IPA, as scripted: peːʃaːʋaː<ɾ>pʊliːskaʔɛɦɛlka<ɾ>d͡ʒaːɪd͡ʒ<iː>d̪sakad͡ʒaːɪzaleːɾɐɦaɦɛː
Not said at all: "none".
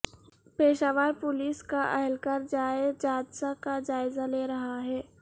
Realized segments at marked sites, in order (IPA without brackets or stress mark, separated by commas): ɾ, ɾ, aː